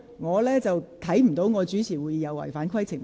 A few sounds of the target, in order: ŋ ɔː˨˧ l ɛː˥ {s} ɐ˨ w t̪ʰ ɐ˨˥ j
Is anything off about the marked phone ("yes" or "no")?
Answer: yes